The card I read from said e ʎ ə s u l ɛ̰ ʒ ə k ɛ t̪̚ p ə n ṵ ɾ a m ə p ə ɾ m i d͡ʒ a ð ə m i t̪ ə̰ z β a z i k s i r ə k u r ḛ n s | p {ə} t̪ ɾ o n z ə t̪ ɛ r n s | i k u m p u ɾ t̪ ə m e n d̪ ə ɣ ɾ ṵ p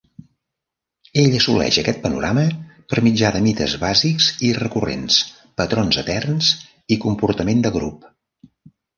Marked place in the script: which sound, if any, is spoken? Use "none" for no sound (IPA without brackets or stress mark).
ə